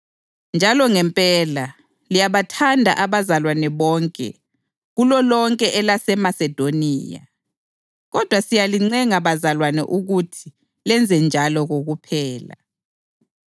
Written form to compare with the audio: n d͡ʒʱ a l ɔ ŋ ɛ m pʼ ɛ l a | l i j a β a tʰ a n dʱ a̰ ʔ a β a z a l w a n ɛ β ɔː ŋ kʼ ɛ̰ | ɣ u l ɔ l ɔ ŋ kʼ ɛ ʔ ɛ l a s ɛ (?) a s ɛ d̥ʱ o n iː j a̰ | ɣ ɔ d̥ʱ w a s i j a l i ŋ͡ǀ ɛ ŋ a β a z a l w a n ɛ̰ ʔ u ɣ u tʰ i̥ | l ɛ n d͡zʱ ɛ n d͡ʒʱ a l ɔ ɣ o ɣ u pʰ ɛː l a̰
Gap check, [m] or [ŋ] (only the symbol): m